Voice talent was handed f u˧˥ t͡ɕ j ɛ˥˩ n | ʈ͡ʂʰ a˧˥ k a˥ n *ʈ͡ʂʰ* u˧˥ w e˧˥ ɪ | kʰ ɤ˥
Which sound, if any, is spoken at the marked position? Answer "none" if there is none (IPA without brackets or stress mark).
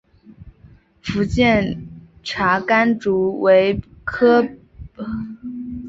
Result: ʈ͡ʂ